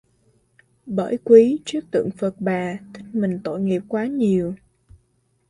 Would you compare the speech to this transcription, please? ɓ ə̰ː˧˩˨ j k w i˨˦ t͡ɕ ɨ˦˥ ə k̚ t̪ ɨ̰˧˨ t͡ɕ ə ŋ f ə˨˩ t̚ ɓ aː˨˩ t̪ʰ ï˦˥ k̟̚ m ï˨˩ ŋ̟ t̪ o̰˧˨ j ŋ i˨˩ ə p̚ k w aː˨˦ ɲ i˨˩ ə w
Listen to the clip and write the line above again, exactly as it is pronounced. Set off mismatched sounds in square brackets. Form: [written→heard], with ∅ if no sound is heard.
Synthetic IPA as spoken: ɓ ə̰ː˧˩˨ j k w i˨˦ t͡ɕ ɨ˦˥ ə k̚ t̪ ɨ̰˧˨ [t͡ɕ→∅] ə ŋ f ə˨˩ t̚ ɓ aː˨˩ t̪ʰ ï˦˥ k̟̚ m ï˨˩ ŋ̟ t̪ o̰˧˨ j ŋ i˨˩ ə p̚ k w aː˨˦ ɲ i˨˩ ə w